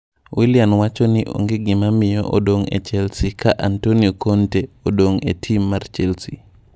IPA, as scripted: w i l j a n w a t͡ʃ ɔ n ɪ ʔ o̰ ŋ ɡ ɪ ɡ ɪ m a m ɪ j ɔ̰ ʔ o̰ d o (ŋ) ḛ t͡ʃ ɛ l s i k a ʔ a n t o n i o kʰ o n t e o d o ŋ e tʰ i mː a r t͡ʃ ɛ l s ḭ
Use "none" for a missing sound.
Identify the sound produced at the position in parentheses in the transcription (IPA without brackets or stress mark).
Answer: ŋ